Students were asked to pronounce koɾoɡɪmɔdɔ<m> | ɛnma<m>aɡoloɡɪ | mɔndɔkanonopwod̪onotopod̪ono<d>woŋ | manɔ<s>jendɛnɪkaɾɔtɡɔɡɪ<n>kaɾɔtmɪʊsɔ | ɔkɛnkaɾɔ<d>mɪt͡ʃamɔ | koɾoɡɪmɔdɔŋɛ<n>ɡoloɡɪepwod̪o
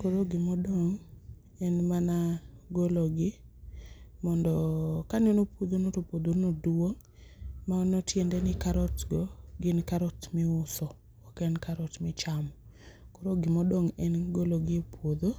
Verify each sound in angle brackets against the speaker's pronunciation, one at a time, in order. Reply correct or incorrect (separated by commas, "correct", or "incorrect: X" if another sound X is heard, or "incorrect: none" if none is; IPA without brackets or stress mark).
incorrect: ŋ, incorrect: n, correct, incorrect: t, correct, incorrect: t, correct